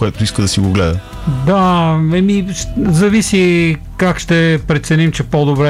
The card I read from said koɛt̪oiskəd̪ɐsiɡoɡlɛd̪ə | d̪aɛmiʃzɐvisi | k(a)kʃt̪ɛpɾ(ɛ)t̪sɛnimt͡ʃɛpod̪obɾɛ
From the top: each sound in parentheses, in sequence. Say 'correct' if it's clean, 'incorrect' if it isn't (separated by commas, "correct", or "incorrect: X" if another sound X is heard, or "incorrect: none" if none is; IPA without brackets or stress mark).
correct, correct